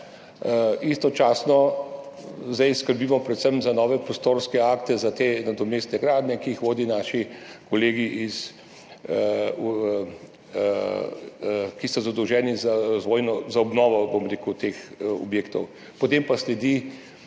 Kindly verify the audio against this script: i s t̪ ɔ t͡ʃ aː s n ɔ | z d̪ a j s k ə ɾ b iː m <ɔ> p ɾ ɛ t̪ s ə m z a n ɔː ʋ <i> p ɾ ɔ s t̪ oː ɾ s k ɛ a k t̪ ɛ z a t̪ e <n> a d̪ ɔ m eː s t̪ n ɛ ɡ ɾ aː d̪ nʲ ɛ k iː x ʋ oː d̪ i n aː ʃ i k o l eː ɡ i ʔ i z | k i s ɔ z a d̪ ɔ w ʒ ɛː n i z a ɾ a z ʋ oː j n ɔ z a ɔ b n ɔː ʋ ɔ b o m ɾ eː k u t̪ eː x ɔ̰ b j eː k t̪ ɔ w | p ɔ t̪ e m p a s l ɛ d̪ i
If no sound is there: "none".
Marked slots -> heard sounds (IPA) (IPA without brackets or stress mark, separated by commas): ɔ, ɛ, n